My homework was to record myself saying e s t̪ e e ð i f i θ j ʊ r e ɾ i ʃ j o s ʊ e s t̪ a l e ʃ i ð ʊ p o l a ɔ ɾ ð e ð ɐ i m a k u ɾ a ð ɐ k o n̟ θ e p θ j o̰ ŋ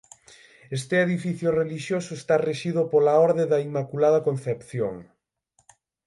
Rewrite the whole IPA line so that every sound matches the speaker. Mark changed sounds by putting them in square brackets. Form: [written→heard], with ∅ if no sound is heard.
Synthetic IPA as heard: e s t̪ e e ð i f i θ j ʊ r e [ɾ→l] i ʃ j o s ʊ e s t̪ a [l→r] e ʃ i ð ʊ p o l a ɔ ɾ ð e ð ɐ i m a k u [ɾ→l] a ð ɐ k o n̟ θ e p θ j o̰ ŋ